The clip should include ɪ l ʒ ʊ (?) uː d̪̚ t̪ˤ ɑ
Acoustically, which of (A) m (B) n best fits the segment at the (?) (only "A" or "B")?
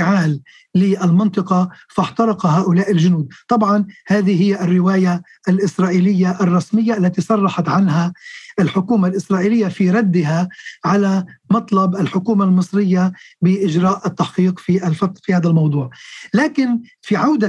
B